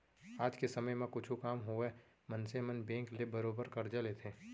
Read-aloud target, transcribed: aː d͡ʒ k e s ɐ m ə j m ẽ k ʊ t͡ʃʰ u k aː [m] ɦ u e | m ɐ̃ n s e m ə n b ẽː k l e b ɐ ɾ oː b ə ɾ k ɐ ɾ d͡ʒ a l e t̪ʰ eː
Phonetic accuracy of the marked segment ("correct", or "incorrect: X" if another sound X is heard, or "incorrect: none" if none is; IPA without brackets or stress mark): correct